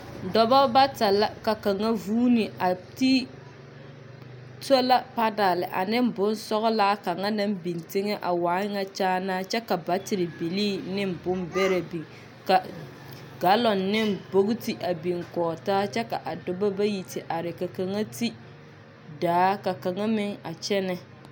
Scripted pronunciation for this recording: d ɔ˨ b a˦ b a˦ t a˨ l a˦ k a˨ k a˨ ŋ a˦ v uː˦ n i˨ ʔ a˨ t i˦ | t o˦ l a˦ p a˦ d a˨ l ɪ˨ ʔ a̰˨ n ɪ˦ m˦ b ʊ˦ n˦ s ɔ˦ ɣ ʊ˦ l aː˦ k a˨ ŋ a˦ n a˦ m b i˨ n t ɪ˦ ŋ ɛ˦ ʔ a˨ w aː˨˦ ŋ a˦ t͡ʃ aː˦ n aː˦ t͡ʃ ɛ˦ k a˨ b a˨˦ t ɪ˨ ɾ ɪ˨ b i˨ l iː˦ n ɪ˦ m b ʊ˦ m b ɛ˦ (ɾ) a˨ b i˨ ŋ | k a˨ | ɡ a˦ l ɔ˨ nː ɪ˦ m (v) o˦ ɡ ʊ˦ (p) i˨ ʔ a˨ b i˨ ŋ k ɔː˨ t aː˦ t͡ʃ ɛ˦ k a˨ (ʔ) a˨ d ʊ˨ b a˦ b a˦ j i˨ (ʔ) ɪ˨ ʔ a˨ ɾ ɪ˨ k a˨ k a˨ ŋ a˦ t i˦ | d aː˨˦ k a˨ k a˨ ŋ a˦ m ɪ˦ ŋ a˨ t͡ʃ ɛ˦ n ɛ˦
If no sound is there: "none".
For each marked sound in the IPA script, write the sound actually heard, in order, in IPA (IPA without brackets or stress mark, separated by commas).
ɾ, b, t, ʔ, t